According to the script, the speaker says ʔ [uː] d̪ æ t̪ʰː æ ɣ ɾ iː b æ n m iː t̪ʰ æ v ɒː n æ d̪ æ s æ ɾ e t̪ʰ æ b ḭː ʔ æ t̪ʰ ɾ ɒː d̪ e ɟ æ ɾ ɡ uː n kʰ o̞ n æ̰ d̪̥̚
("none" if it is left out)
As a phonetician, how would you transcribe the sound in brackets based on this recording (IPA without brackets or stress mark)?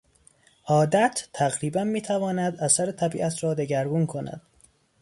ɒː